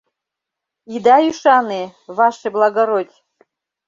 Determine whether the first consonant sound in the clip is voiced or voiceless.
voiced